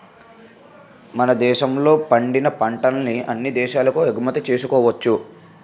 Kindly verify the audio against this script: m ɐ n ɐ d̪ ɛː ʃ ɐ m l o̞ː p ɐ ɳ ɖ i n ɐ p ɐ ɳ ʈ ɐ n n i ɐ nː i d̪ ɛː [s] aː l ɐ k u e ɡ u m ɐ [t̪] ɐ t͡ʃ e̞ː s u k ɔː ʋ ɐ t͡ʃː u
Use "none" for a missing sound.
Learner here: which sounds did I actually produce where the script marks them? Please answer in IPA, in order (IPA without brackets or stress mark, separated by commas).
ʃ, t̪